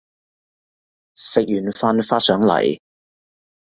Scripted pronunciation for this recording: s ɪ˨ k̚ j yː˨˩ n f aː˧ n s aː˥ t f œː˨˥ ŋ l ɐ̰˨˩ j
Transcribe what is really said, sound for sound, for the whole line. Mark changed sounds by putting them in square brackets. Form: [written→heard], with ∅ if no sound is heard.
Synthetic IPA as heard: s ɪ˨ k̚ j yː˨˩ n f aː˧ n [s→f] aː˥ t [f→s] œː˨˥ ŋ l ɐ̰˨˩ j